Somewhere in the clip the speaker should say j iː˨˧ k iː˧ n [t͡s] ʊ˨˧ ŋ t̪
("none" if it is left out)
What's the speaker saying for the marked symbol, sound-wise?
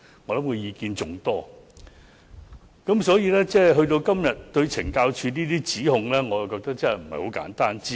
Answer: t͡s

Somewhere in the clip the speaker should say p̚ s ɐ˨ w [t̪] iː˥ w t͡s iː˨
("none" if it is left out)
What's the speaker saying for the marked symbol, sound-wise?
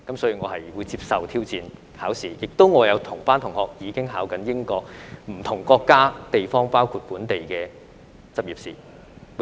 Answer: t̪ʰ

